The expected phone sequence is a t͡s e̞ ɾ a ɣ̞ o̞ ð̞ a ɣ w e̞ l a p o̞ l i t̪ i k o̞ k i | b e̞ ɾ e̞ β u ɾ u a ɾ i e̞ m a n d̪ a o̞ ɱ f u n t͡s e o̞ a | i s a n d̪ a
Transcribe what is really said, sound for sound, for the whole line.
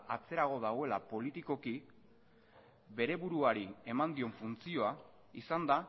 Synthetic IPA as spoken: a t͡s e̞ ɾ a ɣ̞ o̞ ð̞ a ɣ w e̞ l a p o̞ l i t̪ i k o̞ k i | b e̞ ɾ e̞ β u ɾ u a ɾ i e̞ m a n d̪ i o̞ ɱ f u n t͡s i o̞ a | i s a n d̪ a